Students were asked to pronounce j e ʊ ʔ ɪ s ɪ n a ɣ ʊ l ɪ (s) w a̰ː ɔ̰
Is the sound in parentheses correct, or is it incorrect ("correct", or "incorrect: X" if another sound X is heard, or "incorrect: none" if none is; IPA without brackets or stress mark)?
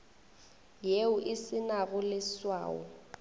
correct